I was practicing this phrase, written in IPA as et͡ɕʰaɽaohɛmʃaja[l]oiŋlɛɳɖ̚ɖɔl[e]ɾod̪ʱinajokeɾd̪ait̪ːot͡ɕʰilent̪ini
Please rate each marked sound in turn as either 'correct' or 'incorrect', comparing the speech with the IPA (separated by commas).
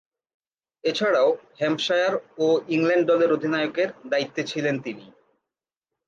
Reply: incorrect, correct